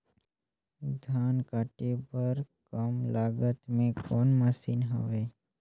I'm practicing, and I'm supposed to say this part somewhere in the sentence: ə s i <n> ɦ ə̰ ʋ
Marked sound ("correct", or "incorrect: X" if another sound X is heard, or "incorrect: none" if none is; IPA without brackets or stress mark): correct